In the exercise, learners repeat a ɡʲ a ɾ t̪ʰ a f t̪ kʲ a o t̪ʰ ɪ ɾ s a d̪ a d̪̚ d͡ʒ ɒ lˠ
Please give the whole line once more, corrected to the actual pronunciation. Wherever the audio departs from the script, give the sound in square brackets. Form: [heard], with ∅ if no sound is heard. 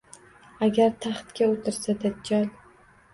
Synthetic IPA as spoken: a ɡʲ a ɾ t̪ʰ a [χ] t̪ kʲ a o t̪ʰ ɪ ɾ s a d̪ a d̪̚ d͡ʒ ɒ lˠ